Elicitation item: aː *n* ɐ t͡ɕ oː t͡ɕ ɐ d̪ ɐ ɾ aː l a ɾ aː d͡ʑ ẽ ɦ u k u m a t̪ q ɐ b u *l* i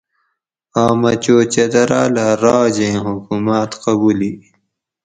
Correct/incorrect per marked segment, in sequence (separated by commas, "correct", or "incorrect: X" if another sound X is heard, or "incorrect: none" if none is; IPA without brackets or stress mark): incorrect: m, correct